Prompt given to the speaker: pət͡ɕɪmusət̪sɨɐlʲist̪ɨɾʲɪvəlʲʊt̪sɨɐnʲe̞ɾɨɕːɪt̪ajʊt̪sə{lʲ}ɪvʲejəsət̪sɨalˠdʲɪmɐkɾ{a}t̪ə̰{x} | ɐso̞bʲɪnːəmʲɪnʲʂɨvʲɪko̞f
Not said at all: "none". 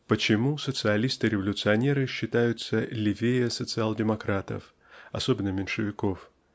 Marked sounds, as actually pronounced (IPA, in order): lʲ, a, f

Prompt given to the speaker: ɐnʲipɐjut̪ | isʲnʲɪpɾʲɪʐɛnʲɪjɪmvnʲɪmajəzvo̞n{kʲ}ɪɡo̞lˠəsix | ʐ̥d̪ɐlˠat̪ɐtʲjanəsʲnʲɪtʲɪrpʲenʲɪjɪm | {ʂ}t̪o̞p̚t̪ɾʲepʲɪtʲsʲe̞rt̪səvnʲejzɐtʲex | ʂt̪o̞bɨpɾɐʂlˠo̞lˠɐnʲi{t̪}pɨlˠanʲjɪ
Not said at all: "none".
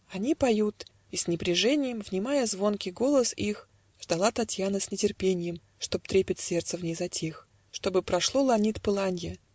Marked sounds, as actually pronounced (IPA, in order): kʲ, ʂ, t̪

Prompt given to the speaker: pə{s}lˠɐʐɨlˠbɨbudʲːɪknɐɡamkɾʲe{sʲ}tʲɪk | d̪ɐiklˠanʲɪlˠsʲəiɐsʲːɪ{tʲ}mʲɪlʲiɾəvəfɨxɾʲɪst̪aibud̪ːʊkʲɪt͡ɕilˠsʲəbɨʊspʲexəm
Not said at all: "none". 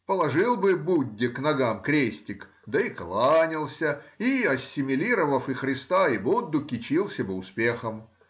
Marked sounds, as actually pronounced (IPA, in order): none, sʲ, none

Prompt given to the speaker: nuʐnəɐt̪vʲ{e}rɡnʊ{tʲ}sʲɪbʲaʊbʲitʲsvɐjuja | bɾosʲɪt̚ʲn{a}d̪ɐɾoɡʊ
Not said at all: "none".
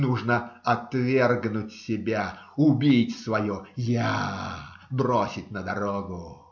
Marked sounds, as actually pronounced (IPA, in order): e, tʲ, ə

